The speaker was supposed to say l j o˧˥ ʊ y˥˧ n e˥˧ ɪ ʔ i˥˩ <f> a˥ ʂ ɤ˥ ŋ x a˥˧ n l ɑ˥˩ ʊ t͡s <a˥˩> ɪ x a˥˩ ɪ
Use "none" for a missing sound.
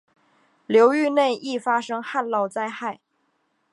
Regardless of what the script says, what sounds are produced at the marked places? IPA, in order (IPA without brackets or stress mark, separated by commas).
f, a˥